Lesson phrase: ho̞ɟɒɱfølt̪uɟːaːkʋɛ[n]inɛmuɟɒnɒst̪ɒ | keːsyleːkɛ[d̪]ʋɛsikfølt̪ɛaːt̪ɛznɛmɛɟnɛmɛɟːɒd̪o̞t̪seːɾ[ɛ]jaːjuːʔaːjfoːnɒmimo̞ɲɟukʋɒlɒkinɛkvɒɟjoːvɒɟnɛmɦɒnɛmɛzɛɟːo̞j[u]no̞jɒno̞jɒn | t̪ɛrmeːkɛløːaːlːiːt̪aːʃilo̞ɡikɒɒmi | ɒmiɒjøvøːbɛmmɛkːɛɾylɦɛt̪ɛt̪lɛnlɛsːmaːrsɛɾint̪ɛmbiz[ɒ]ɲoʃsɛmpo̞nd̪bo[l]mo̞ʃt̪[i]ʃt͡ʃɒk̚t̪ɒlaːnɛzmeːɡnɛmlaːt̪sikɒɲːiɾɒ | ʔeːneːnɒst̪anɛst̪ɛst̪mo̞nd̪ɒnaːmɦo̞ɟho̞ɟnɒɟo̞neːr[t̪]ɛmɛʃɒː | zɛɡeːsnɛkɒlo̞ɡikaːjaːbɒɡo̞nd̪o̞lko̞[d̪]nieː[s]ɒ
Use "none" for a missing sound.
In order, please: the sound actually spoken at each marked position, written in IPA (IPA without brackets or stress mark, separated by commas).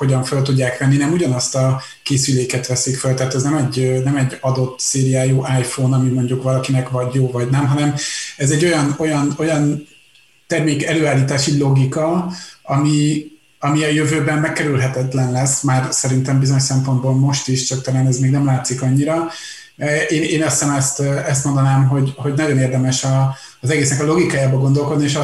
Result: nː, t̪, i, ɒ, o, l, i, d̪, d̪, ʃ